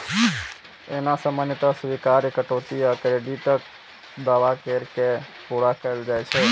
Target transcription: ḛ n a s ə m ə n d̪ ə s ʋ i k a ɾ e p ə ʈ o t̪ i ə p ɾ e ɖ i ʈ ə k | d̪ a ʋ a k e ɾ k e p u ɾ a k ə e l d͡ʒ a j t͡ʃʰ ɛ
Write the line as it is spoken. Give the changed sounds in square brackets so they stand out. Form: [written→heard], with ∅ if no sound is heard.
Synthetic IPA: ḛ n a s ə m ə n [d̪→t̪] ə s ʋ i k a ɾ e [p→k] ə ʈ o t̪ i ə [p→k] ɾ e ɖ i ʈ ə k | d̪ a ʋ a k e ɾ k e p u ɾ a k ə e l d͡ʒ a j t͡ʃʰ ɛ